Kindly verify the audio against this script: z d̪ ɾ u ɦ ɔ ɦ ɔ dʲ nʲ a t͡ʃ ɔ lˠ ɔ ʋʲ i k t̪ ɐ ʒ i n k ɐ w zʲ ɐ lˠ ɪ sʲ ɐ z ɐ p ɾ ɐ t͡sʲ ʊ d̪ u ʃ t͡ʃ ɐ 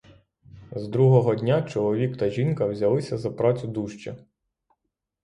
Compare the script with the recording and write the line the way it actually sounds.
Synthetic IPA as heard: z d̪ ɾ u ɦ ɔ ɦ ɔ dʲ nʲ a t͡ʃ ɔ lˠ ɔ ʋʲ i k t̪ ɐ ʒ i n k ɐ w zʲ ɐ lˠ ɪ sʲ ɐ z ɐ p ɾ ɑ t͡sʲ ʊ d̪ u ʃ t͡ʃ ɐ